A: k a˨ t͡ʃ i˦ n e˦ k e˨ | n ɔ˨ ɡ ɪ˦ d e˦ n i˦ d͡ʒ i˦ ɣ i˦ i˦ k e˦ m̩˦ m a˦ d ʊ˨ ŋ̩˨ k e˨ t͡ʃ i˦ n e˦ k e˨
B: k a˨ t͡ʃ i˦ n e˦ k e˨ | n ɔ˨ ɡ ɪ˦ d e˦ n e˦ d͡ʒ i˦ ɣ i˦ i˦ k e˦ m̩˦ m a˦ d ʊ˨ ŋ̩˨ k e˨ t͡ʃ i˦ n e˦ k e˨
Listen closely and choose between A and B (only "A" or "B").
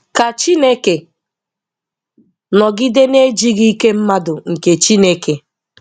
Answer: B